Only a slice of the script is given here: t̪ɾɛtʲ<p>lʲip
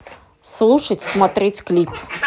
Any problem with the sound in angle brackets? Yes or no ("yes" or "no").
yes